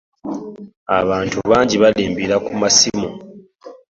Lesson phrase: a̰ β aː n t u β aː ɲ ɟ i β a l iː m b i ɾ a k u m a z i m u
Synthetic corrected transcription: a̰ β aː n t u β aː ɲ ɟ i β a l iː m b i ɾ a k u m a s i m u

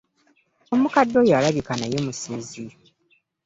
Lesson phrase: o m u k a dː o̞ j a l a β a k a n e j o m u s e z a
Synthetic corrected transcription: o m u k a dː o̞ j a l a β i k a n a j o m u s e z i

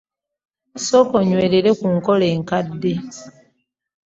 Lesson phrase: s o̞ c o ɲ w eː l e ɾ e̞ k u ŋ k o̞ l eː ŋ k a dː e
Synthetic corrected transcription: s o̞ k o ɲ w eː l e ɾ e̞ k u ŋ k o̞ l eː ŋ k a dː e

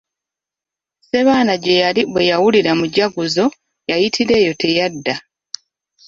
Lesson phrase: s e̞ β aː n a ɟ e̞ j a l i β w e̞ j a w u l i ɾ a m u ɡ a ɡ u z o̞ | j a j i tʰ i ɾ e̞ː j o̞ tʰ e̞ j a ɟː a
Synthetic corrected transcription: s e̞ β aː n a ɟ e̞ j a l i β w e̞ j a w u l i ɾ a m u ɟ a ɡ u z o̞ | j a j i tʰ i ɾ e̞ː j o̞ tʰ e̞ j a dː a

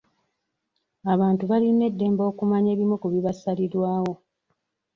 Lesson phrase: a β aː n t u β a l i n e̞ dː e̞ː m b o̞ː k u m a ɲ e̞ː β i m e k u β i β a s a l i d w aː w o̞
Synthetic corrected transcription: a β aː n t u β a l i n e̞ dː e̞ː m b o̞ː k u m a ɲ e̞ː β i m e k u β i β a s a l i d w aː w o̞

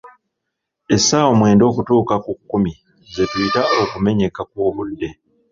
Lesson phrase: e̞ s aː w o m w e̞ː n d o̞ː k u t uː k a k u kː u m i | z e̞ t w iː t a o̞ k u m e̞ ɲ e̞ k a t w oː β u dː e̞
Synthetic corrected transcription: e̞ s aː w o m w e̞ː n d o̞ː k u t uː k a k u kː u m i | z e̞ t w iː t a o̞ k u m e̞ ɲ e̞ k a k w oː β u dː e̞

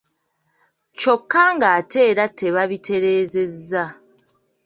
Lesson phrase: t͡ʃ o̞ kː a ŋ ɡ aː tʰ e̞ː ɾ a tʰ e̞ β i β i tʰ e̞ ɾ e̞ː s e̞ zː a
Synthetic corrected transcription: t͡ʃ o̞ kː a ŋ ɡ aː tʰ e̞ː ɾ a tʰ e̞ β a β i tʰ e̞ ɾ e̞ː z e̞ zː a

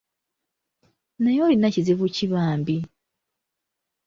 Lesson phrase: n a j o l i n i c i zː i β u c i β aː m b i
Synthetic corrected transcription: n a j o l i n a c i z i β u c i β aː m b i

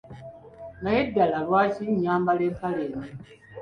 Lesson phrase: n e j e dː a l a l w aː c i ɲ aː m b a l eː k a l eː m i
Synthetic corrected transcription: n a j e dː a l a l w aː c i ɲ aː m b a l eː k a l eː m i

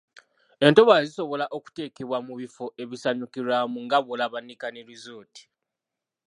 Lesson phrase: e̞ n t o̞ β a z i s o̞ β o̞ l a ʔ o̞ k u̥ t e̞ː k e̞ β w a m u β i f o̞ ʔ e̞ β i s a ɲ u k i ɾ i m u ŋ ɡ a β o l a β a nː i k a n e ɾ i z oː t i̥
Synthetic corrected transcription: e̞ n t o̞ β a z i s o̞ β o̞ l a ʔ o̞ k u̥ t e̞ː k e̞ β w a m u β i f o̞ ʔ e̞ β i s a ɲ u k i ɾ a m u ŋ ɡ a β o l a β a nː i k a n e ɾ i z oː t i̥

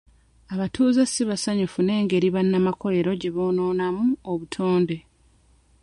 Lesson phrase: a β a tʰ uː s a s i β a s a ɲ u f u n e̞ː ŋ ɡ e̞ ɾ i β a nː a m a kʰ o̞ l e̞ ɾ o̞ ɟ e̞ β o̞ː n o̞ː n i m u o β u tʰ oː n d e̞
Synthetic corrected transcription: a β a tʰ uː z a s i β a s a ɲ u f u n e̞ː ŋ ɡ e̞ ɾ i β a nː a m a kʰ o̞ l e̞ ɾ o̞ ɟ e̞ β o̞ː n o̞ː n a m u o β u tʰ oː n d e̞

